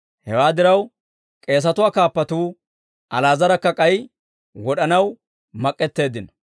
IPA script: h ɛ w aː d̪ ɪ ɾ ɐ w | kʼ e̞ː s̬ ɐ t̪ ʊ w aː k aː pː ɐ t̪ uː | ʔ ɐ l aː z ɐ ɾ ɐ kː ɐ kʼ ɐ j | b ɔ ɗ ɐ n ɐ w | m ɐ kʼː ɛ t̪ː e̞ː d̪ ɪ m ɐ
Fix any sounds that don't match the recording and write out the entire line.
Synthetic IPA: h ɛ w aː d̪ ɪ ɾ ɐ w | kʼ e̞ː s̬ ɐ t̪ ʊ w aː k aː pː ɐ t̪ uː | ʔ ɐ l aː z ɐ ɾ ɐ kː ɐ kʼ ɐ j | w ɔ ɗ ɐ n ɐ w | m ɐ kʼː ɛ t̪ː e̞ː d̪ ɪ n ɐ